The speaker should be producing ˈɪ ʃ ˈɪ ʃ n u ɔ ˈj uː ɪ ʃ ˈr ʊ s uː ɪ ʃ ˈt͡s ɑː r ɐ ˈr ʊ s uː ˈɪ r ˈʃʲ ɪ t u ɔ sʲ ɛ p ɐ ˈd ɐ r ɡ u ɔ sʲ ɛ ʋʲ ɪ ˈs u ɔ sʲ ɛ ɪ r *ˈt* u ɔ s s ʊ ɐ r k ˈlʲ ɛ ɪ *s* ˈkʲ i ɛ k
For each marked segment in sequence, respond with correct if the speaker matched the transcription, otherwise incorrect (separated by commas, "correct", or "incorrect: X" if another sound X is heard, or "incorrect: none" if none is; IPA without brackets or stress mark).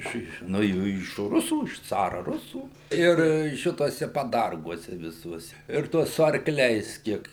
correct, correct